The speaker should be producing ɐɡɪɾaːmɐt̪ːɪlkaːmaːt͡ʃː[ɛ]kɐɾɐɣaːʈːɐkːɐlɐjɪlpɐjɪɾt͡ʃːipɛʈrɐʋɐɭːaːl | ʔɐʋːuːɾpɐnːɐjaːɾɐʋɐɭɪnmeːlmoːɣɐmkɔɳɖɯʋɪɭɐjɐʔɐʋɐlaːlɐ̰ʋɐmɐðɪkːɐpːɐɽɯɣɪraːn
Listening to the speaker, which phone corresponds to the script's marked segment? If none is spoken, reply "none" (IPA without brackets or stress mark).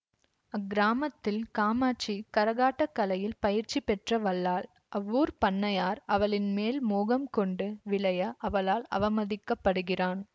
i